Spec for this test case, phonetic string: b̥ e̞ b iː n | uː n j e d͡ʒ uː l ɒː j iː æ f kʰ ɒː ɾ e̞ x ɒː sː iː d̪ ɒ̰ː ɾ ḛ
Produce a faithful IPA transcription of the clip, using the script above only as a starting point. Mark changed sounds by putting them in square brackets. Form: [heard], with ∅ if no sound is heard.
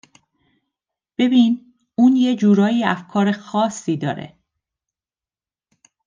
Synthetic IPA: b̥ e̞ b iː n | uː n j e d͡ʒ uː [ɾ] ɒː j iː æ f kʰ ɒː ɾ e̞ x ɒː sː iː d̪ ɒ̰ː ɾ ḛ

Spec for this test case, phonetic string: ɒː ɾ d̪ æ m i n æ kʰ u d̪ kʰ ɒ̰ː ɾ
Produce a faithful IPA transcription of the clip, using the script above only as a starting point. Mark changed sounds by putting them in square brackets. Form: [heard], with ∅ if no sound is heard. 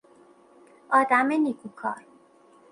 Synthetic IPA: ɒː [∅] d̪ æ m [e] n [i] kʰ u [∅] kʰ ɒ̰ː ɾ

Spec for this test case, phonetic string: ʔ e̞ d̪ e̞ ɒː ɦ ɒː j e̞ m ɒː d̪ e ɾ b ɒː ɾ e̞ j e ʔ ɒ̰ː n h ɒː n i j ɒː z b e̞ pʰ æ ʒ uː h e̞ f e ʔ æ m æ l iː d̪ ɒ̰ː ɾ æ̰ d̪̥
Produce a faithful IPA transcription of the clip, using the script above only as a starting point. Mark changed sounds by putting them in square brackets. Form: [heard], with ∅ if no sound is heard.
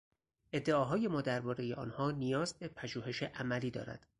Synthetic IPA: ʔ e̞ [d̪ː] e̞ ɒː ɦ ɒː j e̞ m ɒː d̪ [æ] ɾ b ɒː ɾ e̞ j e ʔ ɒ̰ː n h ɒː n i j ɒː z b e̞ pʰ æ ʒ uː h e̞ [ʃ] e ʔ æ m æ l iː d̪ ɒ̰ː ɾ æ̰ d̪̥

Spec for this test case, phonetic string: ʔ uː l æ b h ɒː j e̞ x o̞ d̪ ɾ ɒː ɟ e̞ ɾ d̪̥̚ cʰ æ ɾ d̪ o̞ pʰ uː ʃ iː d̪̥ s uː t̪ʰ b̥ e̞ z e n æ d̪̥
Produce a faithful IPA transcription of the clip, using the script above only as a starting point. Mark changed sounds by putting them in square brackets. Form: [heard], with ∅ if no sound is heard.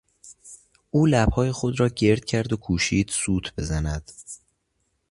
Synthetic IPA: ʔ uː l æ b h ɒː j e̞ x o̞ d̪ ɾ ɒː ɟ e̞ ɾ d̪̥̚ cʰ æ ɾ d̪ o̞ [kʰ] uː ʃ iː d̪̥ s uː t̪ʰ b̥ e̞ z [æ] n æ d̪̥

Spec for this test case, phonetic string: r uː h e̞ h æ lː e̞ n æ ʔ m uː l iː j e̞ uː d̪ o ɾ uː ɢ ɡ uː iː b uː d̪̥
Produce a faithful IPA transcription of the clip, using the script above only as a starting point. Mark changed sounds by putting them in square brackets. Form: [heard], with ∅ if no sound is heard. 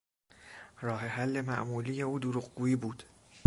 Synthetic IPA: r [ɒː] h e̞ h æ lː e̞ [m] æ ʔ m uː l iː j e̞ uː d̪ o ɾ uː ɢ ɡ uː iː b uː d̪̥

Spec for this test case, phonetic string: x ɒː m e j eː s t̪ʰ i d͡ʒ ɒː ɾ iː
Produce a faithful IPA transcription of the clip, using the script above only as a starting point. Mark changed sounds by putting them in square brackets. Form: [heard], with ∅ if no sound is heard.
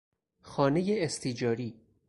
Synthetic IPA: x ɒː [n] e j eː s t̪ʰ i d͡ʒ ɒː ɾ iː

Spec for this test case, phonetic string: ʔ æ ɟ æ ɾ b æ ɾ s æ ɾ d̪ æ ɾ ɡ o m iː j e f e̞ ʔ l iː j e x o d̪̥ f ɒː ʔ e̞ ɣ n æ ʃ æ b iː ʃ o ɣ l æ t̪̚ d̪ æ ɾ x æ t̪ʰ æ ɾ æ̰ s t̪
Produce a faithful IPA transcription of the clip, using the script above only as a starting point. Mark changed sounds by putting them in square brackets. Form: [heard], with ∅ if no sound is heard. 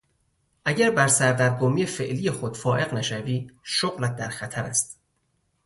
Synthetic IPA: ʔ æ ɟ æ ɾ b æ ɾ s æ ɾ d̪ æ ɾ ɡ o m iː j e f e̞ ʔ l iː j e x o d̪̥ f ɒː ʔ e̞ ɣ n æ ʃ æ [v] iː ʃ o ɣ l æ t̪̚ d̪ æ ɾ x æ t̪ʰ æ ɾ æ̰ s t̪

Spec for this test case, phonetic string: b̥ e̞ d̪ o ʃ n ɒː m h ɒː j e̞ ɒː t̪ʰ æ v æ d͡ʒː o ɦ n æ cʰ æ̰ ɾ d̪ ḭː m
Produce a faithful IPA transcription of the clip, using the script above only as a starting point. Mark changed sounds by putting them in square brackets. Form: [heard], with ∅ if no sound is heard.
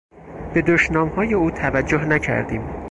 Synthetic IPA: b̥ e̞ d̪ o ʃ n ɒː m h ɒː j e̞ [uː] t̪ʰ æ v æ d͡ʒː o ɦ n æ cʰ æ̰ ɾ d̪ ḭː m

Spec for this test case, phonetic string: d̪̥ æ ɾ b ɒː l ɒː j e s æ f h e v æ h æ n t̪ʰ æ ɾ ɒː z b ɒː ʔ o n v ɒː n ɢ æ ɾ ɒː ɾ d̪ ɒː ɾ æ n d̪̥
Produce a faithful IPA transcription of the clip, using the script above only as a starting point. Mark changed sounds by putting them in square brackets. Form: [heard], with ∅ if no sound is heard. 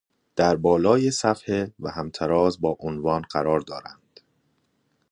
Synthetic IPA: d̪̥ æ ɾ b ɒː l ɒː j e s æ f h e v æ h æ [m] t̪ʰ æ ɾ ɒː z b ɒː ʔ o n v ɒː n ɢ æ ɾ ɒː ɾ d̪ ɒː ɾ æ n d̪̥

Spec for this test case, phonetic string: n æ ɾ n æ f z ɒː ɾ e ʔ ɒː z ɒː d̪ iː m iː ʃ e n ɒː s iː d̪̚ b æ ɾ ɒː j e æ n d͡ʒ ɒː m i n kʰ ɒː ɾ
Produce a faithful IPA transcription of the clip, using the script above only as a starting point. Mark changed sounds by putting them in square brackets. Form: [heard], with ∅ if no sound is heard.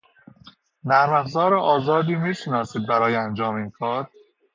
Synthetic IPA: n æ ɾ [m] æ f z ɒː ɾ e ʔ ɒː z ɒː d̪ iː m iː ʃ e n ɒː s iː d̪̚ b æ ɾ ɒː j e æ n d͡ʒ ɒː m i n kʰ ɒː ɾ

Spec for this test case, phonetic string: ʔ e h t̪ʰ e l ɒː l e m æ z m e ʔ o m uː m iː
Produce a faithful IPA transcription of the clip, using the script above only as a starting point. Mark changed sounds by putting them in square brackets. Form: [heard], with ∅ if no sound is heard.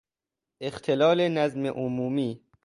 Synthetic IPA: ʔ e [x] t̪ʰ e l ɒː l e [n] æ z m e ʔ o m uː m iː

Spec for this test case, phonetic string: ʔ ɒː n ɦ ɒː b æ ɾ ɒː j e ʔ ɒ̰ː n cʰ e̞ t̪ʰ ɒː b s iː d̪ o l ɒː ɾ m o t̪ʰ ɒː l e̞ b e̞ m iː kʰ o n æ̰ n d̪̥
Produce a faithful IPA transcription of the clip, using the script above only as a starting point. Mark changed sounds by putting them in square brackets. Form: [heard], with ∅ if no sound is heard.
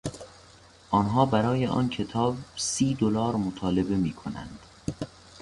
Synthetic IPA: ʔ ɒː n ɦ ɒː b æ ɾ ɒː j e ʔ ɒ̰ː n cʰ e̞ t̪ʰ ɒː b s iː d̪ o l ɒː ɾ m o t̪ʰ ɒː l e̞ b e̞ m iː kʰ o n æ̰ n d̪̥

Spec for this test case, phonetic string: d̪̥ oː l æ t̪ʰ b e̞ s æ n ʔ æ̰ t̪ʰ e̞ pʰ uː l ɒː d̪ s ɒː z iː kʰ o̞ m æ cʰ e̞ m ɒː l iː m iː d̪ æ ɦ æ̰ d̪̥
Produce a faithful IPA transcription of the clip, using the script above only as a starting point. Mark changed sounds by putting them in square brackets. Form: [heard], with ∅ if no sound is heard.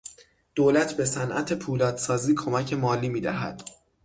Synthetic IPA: d̪̥ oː l æ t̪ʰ b e̞ s æ n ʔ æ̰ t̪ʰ e̞ pʰ uː l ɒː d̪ s ɒː z iː kʰ o̞ m æ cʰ e̞ m ɒː l iː m iː d̪ æ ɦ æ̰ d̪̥

